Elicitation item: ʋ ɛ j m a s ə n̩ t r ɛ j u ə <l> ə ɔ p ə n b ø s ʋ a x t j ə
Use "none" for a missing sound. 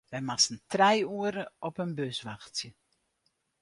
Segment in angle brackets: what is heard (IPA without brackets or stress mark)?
ɾ